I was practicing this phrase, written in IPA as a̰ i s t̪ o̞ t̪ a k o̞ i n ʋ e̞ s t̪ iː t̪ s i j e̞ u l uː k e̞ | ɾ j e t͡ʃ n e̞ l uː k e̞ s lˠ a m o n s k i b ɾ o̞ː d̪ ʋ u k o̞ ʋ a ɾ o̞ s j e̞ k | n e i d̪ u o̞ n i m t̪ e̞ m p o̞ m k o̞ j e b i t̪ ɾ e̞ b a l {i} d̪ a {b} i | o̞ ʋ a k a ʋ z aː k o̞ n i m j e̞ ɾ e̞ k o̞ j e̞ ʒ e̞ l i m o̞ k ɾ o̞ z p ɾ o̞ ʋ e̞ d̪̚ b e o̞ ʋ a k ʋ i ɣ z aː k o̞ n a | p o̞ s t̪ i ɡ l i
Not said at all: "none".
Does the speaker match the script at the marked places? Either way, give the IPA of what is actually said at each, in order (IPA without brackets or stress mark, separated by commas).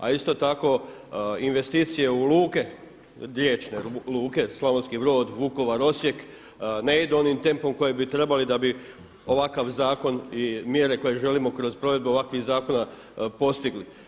i, b